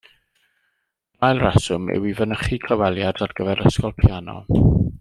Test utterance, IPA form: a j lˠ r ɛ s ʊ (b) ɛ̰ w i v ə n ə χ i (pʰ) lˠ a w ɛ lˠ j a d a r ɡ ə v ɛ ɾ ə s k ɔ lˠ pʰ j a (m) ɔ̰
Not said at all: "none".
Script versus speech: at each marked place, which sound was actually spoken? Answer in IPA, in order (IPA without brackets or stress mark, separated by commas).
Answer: m, kʰ, n